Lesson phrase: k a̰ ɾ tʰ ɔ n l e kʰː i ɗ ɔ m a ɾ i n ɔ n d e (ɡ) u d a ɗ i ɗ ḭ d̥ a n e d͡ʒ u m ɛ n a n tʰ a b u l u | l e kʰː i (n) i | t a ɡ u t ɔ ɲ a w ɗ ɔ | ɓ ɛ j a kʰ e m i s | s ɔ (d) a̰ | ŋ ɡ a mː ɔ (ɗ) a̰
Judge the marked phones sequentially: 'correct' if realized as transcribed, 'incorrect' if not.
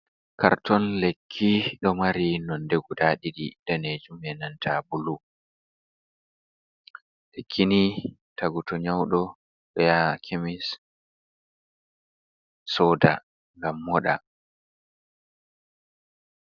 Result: correct, correct, correct, correct

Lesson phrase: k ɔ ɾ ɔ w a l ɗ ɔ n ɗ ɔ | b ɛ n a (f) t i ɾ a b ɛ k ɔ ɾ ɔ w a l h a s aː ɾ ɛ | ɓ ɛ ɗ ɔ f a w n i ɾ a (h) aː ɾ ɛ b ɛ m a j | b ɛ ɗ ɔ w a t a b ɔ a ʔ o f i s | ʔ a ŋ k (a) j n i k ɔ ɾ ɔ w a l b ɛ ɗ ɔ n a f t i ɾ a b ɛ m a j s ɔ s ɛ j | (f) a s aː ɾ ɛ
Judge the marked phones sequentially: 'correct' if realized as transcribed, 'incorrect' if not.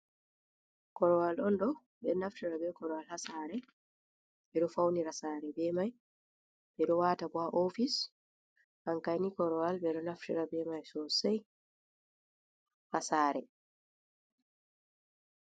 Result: correct, incorrect, correct, incorrect

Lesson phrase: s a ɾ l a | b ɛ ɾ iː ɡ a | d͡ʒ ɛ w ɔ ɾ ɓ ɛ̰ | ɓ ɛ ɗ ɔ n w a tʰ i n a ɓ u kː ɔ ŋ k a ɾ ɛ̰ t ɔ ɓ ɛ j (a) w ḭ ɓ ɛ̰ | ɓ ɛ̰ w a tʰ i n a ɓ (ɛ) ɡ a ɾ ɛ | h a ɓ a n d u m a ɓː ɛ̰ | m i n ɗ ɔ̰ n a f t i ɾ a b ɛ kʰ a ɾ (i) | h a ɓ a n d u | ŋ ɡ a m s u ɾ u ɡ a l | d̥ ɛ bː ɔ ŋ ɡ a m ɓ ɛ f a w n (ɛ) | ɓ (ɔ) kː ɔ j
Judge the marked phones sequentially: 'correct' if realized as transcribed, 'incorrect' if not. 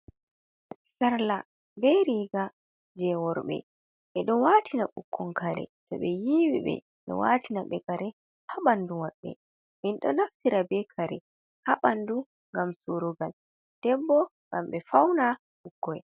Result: incorrect, correct, incorrect, incorrect, incorrect

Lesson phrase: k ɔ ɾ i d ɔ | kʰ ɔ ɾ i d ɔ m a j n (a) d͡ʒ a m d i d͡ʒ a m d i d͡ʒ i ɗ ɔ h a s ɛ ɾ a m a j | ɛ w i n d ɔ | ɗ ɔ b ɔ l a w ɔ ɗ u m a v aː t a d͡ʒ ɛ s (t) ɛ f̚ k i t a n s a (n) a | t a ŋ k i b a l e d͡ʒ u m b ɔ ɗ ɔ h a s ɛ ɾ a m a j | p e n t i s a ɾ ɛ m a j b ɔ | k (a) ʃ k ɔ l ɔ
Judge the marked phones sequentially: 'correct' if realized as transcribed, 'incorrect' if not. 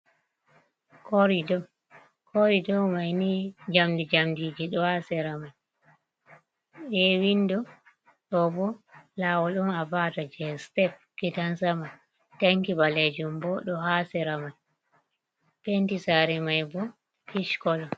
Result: incorrect, correct, incorrect, incorrect

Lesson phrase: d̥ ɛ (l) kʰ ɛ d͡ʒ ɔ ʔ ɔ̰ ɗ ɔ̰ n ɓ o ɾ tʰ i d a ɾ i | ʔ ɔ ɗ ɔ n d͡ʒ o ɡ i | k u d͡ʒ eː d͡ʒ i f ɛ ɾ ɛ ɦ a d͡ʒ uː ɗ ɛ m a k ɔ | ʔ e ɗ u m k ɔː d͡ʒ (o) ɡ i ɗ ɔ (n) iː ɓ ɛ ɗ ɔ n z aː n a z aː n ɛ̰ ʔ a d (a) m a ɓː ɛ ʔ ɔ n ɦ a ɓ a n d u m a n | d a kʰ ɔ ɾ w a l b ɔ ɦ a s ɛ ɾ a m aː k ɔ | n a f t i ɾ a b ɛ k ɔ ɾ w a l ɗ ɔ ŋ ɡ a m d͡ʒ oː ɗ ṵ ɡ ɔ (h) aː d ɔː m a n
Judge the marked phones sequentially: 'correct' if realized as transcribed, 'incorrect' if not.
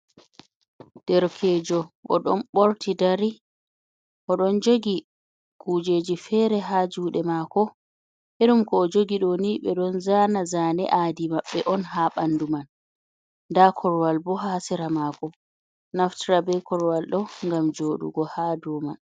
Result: incorrect, correct, correct, incorrect, correct

